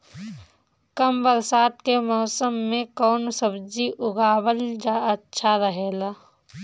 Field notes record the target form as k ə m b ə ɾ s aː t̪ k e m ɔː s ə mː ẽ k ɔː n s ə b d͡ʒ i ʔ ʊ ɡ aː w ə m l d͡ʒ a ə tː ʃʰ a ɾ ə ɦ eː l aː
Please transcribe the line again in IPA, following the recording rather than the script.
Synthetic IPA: k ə m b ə ɾ s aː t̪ k e m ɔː s ə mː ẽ k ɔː n s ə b d͡ʒ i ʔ ʊ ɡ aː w ə l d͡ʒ a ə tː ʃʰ a ɾ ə ɦ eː l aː